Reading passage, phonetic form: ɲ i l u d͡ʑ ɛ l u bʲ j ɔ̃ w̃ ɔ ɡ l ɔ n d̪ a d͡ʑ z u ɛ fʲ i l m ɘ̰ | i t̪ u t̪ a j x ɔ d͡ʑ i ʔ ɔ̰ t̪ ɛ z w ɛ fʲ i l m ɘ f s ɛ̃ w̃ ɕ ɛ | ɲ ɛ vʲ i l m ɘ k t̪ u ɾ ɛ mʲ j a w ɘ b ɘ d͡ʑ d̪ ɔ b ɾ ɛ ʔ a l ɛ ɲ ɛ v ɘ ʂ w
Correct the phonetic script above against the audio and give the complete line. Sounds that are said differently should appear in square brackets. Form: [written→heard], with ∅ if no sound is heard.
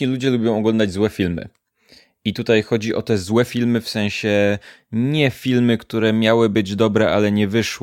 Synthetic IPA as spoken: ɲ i l u d͡ʑ ɛ l u bʲ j ɔ̃ w̃ ɔ ɡ l ɔ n d̪ a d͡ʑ z [u→w] ɛ fʲ i l m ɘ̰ | i t̪ u t̪ a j x ɔ d͡ʑ i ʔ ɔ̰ t̪ ɛ z w ɛ fʲ i l m ɘ f s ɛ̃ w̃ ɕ ɛ | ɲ ɛ [vʲ→fʲ] i l m ɘ k t̪ u ɾ ɛ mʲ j a w ɘ b ɘ d͡ʑ d̪ ɔ b ɾ ɛ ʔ a l ɛ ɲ ɛ v ɘ ʂ w